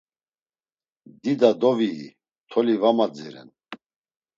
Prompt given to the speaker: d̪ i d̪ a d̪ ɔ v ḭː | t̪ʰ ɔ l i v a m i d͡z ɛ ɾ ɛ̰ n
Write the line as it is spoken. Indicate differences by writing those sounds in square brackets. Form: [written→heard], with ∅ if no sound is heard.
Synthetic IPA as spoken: d̪ i d̪ a d̪ ɔ v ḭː | t̪ʰ ɔ l i v a m [i→a] d͡z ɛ ɾ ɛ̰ n